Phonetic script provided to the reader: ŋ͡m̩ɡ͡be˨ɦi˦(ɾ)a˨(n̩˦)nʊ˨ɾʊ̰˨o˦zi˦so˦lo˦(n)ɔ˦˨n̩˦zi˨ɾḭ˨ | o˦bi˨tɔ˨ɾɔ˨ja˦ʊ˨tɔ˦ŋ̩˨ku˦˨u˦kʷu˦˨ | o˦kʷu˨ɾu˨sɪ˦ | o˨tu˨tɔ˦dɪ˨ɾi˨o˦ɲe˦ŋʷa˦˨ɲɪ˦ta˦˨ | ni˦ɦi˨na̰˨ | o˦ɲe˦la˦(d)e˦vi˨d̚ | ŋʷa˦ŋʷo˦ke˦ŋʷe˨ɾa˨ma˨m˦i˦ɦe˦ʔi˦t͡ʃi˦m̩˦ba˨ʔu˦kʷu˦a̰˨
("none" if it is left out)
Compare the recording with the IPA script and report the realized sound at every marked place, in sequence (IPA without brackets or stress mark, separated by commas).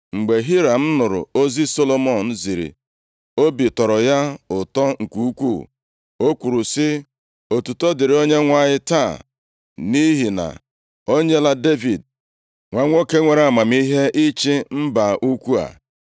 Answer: ɾ, m̩˦, m, d